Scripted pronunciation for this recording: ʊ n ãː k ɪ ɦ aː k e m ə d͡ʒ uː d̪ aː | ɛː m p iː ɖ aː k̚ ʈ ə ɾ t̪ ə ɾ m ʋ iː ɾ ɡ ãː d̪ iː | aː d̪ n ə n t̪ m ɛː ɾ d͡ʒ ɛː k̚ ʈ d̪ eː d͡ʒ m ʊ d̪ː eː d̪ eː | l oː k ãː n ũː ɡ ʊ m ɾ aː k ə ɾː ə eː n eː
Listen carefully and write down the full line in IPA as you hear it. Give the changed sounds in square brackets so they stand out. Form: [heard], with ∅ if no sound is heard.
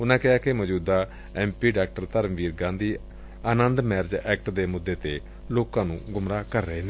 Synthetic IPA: ʊ n ãː k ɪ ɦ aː k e m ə d͡ʒ uː d̪ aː | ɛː m p iː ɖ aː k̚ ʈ ə ɾ t̪ ə ɾ m ʋ iː ɾ ɡ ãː d̪ iː | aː [∅] n ə n [d̪] m ɛː ɾ d͡ʒ ɛː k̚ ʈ d̪ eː [∅] m ʊ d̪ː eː [t̪] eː | l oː k ãː n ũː ɡ ʊ m ɾ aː k ə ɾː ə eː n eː